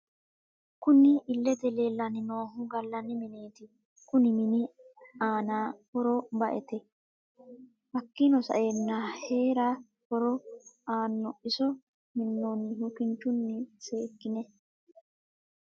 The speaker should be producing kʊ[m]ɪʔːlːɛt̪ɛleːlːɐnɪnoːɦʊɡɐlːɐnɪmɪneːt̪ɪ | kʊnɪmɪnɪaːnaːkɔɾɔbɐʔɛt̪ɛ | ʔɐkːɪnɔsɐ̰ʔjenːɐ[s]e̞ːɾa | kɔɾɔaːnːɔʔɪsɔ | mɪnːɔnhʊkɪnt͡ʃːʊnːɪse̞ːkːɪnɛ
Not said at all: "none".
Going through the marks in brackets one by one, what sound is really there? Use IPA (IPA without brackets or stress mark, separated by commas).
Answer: n, h